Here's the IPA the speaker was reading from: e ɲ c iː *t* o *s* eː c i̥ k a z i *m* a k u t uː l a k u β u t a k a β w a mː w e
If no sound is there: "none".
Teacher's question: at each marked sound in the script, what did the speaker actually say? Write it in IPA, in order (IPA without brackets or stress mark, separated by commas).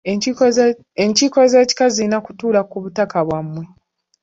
k, z, n